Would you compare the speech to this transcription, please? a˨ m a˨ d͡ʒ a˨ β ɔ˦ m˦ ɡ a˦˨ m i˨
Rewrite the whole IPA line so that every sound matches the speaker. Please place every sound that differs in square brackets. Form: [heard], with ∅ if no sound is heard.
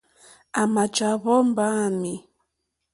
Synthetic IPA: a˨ m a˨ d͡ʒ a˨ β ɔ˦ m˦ [b] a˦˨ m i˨

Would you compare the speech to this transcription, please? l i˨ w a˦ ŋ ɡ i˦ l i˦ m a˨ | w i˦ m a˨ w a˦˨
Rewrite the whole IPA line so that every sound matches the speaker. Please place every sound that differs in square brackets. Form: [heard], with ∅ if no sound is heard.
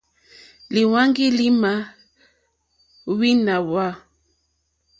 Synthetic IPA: l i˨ w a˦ ŋ ɡ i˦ l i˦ m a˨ | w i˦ [n] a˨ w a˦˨

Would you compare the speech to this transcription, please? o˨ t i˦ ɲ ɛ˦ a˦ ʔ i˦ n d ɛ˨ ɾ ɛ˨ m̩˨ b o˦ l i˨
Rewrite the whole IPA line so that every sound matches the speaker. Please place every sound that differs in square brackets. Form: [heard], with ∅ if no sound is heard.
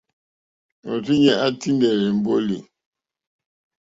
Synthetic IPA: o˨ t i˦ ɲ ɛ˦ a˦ [t] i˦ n d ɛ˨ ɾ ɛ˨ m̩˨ b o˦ l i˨

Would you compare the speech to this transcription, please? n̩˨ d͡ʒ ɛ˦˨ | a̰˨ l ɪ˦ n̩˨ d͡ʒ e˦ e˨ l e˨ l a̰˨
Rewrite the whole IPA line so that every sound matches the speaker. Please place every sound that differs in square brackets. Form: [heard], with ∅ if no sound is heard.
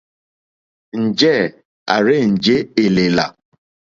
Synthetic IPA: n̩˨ d͡ʒ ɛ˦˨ | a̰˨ [ɾ] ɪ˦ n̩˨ d͡ʒ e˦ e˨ l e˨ l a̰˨

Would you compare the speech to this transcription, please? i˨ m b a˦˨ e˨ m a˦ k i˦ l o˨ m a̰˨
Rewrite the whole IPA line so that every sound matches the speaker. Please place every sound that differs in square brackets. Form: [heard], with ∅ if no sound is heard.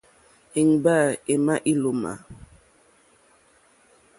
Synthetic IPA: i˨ [ŋ] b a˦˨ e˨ m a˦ [ʔ] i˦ l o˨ m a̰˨

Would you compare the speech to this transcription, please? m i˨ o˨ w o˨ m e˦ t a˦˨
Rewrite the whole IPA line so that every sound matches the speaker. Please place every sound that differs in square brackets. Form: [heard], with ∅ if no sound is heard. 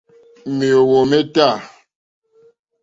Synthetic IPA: m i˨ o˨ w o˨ m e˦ t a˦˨

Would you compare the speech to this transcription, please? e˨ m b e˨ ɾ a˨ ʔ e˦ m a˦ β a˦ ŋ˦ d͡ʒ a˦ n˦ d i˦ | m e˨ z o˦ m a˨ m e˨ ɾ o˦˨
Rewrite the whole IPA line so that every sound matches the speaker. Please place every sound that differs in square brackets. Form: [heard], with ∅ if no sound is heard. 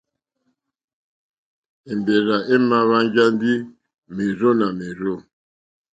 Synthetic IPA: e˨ m b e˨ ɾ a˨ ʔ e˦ m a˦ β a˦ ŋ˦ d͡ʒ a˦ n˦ d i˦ | m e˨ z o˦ [n] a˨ m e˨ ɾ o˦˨

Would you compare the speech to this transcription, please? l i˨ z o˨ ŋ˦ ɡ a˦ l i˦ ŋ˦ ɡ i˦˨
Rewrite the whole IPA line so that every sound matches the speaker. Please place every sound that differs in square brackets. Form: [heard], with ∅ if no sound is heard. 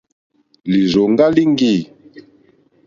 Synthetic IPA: l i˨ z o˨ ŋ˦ ɡ a˦ l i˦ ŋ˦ ɡ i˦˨

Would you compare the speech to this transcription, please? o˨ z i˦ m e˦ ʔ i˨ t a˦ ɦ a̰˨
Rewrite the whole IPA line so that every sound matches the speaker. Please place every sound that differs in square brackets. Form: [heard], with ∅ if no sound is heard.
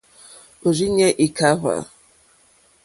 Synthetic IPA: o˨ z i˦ [ɲ] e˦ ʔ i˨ [k] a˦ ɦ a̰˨

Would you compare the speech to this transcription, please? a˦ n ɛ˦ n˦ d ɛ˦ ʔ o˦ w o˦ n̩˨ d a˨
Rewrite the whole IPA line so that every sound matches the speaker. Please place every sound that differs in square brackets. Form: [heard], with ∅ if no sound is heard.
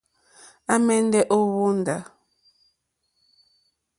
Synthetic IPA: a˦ [m] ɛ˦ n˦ d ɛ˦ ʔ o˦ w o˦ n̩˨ d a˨

